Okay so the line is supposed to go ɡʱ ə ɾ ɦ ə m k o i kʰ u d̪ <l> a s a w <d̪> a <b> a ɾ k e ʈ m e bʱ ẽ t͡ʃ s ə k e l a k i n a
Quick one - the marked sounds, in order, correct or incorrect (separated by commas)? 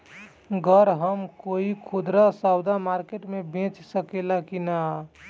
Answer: incorrect, correct, incorrect